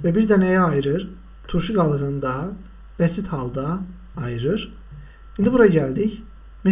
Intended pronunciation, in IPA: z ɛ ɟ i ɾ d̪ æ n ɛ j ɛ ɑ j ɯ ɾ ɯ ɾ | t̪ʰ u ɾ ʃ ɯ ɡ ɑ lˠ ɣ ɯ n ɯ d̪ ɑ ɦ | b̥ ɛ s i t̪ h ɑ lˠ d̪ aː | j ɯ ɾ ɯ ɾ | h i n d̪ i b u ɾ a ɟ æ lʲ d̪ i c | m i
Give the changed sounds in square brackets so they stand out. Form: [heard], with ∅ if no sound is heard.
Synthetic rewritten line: [v] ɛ [b] i ɾ d̪ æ n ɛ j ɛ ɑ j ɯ ɾ ɯ ɾ | t̪ʰ u ɾ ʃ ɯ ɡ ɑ lˠ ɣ ɯ n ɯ d̪ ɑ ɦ | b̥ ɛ s i t̪ h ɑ lˠ d̪ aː | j ɯ ɾ ɯ ɾ | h i n d̪ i b u ɾ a ɟ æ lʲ d̪ i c | m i